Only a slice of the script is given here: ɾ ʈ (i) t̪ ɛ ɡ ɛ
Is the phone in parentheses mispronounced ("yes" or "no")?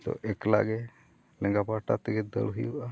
yes